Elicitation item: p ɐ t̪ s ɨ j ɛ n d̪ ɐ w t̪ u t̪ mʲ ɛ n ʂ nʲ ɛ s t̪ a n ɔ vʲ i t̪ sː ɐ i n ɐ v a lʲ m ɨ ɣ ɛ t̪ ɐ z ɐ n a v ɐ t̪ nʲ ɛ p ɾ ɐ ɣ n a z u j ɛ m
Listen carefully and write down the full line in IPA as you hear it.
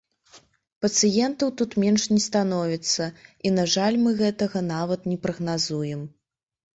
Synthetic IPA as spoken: p ɐ t̪ s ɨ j ɛ n t̪ ɐ w t̪ u t̪ mʲ ɛ n ʂ nʲ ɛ s t̪ a n ɔ vʲ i t̪ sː ɐ i n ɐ ʐ a lʲ m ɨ ɣ ɛ t̪ ɐ ɣ ɐ n a v ɐ t̪ nʲ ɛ p ɾ ɐ ɣ n a z u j ɛ m